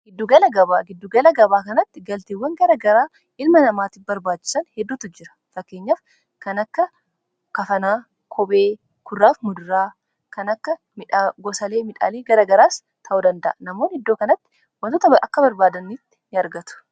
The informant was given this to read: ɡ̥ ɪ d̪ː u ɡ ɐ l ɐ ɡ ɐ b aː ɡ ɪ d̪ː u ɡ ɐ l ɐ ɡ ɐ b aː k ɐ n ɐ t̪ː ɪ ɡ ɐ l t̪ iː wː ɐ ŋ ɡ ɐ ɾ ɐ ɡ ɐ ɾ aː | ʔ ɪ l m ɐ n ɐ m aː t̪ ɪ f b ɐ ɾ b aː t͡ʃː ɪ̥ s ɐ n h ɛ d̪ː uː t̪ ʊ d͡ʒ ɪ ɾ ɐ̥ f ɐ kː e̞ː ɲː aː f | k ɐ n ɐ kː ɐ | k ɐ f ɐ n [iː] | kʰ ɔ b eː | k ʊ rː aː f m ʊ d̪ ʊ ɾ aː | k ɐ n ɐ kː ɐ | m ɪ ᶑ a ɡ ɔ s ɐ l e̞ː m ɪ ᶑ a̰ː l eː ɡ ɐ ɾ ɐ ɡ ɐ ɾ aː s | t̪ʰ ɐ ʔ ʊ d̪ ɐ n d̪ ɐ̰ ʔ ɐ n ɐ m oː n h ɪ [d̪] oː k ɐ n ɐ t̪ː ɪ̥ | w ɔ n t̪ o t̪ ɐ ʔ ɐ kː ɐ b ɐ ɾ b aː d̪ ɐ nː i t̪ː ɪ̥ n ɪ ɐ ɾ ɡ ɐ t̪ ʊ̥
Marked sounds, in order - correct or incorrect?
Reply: incorrect: aː, incorrect: d̪ː

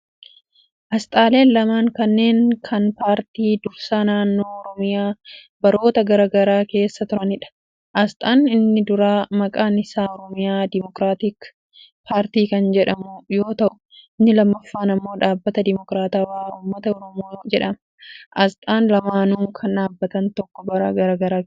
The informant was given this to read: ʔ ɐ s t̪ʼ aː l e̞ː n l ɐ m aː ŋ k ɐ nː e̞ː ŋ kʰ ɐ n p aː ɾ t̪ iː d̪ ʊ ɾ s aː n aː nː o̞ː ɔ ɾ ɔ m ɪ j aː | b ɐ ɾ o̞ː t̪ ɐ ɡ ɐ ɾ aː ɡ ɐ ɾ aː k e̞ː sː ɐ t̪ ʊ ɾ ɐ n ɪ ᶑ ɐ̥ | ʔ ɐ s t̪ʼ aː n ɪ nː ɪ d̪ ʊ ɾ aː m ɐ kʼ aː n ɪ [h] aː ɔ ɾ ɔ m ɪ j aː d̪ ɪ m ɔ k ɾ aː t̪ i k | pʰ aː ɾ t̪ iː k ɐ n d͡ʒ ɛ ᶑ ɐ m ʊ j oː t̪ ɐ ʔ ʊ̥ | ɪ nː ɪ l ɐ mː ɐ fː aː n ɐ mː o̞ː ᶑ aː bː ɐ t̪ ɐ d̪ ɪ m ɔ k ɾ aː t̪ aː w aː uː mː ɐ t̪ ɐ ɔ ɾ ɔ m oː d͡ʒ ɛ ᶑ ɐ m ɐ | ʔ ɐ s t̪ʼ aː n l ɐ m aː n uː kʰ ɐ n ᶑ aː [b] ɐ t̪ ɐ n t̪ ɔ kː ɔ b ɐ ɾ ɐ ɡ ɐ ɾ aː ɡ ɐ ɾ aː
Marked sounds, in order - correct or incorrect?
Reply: incorrect: s, incorrect: bː

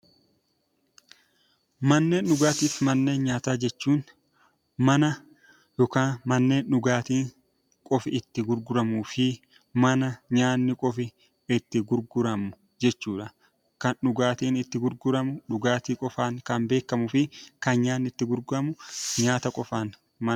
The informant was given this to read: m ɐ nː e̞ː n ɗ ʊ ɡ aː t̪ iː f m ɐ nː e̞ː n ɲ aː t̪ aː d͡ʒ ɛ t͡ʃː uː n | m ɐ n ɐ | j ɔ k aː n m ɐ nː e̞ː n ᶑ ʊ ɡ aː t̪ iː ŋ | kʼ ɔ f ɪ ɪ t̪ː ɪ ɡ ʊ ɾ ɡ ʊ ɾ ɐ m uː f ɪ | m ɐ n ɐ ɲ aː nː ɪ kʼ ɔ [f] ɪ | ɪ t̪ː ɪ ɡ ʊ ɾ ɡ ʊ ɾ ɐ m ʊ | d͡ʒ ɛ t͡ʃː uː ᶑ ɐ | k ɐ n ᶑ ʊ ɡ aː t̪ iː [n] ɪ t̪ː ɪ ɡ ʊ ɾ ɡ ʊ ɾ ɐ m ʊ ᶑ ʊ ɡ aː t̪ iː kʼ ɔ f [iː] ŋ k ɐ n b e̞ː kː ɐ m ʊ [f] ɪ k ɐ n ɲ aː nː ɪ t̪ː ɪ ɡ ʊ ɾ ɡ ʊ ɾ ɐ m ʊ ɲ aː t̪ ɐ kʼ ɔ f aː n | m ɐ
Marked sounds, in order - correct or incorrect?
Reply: correct, correct, incorrect: aː, correct

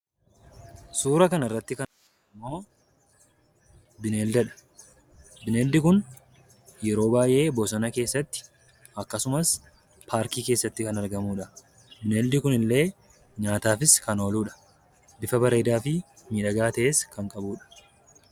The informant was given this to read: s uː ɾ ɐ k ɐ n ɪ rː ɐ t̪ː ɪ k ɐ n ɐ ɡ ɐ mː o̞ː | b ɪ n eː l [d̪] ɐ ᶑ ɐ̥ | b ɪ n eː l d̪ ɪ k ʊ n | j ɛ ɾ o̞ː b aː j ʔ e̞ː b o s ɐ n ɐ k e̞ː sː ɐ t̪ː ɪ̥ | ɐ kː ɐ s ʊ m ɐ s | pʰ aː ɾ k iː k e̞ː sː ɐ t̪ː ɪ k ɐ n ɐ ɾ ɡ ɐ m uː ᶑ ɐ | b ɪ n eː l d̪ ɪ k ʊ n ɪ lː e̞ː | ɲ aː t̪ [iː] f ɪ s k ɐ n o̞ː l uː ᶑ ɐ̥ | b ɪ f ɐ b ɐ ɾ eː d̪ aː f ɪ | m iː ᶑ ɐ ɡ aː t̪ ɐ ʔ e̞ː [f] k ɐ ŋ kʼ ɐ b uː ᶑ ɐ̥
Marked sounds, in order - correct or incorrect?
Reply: correct, incorrect: aː, incorrect: s

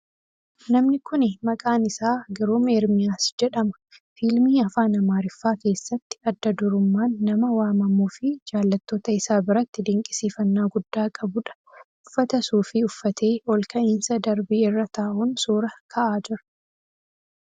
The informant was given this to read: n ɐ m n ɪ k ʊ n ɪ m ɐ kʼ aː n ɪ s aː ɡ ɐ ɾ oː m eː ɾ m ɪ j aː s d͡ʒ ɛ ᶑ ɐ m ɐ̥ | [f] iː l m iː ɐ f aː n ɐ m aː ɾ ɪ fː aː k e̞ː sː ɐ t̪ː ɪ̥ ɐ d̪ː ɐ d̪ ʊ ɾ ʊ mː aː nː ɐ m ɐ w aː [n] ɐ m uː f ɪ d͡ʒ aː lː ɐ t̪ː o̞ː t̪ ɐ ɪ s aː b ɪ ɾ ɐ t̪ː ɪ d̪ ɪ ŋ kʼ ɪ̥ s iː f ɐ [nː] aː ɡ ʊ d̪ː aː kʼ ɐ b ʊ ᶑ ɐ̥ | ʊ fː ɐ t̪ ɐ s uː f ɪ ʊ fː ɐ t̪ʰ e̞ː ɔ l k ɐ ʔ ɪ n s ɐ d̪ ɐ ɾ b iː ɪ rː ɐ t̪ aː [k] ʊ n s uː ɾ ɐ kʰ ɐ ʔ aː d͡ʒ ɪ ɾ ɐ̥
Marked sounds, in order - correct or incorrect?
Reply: correct, incorrect: m, correct, incorrect: ʔ

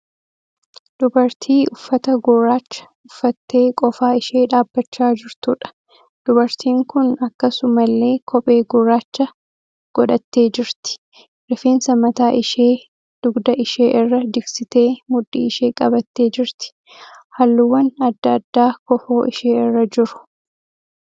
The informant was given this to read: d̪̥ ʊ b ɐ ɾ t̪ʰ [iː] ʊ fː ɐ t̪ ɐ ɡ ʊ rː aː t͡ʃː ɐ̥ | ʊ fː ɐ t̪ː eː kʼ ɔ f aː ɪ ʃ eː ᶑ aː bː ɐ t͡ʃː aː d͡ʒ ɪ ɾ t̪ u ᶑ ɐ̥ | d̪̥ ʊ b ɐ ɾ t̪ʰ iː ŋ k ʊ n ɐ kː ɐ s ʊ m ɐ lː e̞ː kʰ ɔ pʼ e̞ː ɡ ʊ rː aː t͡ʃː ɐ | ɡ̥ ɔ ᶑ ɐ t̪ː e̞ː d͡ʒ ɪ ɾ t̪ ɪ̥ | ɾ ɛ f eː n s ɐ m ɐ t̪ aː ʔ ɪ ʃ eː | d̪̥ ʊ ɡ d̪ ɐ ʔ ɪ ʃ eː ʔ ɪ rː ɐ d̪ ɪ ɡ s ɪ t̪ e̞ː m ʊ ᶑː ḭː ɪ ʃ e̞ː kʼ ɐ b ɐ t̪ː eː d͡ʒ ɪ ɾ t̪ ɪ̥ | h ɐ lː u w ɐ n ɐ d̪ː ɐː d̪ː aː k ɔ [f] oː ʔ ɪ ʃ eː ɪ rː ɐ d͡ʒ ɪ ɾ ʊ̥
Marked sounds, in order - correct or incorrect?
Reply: correct, correct

